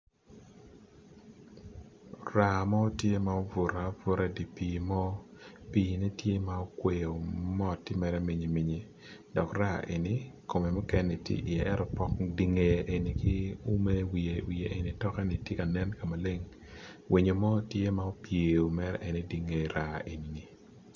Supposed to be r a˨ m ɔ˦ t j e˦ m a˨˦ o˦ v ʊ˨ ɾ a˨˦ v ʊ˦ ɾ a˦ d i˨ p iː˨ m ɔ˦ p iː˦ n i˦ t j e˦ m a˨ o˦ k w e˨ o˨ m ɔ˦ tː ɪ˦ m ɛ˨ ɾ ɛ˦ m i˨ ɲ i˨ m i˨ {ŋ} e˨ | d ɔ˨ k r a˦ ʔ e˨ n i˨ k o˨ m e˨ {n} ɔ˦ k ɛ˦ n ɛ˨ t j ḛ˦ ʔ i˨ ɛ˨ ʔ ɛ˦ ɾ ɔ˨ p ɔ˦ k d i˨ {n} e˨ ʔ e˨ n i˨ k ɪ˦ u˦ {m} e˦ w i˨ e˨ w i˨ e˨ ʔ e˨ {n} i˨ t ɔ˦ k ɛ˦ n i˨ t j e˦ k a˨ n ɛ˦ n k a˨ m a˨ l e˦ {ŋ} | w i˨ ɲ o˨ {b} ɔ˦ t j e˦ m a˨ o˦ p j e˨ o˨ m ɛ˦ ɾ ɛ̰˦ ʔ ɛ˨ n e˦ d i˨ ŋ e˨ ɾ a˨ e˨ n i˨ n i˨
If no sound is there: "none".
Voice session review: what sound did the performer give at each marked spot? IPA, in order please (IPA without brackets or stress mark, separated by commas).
ɲ, m, ŋ, m, n, ŋ, m